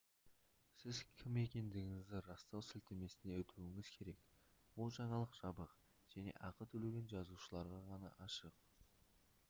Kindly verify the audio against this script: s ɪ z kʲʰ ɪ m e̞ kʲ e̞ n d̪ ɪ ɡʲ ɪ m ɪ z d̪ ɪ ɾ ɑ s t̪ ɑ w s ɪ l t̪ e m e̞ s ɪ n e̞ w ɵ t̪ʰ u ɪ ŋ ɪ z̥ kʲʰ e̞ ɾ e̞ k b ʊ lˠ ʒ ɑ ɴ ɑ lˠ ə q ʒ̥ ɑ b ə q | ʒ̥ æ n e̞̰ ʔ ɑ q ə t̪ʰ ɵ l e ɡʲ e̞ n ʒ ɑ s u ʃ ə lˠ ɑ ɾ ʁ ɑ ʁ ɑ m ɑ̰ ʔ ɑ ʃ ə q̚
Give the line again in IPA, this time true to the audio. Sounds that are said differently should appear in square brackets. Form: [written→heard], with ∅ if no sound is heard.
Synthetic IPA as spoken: s ɪ z kʲʰ ɪ m e̞ kʲ e̞ n d̪ ɪ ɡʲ ɪ [m→ŋ] ɪ z d̪ ɪ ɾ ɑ s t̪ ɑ w s ɪ l t̪ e m e̞ s ɪ n e̞ w ɵ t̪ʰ u ɪ ŋ ɪ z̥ kʲʰ e̞ ɾ e̞ k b ʊ lˠ ʒ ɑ ɴ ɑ lˠ ə q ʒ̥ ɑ b ə q | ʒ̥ æ n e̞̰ ʔ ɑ q ə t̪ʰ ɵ l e ɡʲ e̞ n ʒ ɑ [s→z] u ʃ ə lˠ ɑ ɾ ʁ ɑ ʁ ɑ [m→n] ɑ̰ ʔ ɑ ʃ ə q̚